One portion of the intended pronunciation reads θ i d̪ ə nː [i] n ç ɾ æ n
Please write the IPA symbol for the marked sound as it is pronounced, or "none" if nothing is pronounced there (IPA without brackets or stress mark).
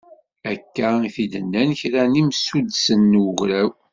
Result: æ